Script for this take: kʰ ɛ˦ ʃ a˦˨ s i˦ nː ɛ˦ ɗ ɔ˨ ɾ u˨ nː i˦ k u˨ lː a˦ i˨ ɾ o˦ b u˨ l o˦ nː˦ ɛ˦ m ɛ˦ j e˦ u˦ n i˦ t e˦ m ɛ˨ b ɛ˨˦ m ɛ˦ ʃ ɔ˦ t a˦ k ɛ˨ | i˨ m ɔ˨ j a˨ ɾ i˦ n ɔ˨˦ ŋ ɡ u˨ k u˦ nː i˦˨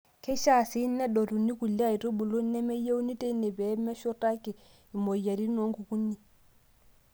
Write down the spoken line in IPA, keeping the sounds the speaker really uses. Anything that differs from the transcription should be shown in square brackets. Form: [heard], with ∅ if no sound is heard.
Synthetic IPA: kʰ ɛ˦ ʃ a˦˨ s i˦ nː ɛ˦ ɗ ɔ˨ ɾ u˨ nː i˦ k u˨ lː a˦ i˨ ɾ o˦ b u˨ l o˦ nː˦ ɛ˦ m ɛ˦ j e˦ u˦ n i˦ t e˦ [n] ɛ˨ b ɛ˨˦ m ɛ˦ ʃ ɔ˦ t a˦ k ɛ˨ | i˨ m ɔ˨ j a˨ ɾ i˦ n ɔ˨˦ ŋ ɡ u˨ k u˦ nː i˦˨